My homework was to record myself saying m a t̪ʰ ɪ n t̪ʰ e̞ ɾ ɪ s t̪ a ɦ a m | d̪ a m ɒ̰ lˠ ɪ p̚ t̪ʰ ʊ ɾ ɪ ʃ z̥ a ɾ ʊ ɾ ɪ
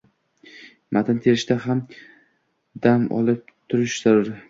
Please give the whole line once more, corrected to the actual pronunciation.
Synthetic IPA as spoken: m a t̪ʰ ɪ n t̪ʰ e̞ ɾ ɪ ʃ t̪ a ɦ a m | d̪ a m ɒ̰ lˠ ɪ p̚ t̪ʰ ʊ ɾ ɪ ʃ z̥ a ɾ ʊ ɾ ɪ